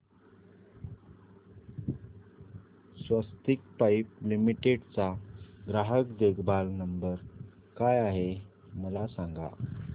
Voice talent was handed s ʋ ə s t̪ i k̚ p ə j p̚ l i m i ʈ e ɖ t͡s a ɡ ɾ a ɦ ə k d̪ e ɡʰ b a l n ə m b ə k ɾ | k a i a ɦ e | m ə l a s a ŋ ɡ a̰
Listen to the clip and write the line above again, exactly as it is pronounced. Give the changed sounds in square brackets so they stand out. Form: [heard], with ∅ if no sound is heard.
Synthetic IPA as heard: s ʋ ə s t̪ i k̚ p [a] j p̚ l i m i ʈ e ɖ t͡s a ɡ ɾ a ɦ ə k d̪ e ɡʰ b a l n ə m b ə [∅] ɾ | k a [j] a ɦ e | m ə l a s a ŋ ɡ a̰

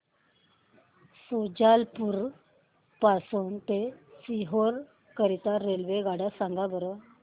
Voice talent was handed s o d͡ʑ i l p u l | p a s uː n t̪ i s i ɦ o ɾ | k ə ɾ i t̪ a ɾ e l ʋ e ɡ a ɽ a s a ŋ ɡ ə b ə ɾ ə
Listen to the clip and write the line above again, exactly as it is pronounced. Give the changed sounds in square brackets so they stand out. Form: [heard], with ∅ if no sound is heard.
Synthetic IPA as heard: s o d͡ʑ [a] l p u [ɾ] | p a s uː n t̪ [e] s i ɦ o ɾ | k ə ɾ i t̪ a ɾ e l ʋ e ɡ a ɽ a s a ŋ ɡ [a] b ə ɾ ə

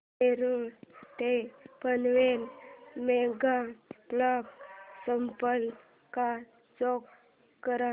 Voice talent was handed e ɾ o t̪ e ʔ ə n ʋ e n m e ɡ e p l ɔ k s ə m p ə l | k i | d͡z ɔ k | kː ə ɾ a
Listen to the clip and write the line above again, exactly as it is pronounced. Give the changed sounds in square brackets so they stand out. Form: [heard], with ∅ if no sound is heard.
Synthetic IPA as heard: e ɾ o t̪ e [p] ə n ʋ e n m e ɡ [a] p l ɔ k s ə m p ə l | k [a] | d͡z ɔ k | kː ə ɾ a

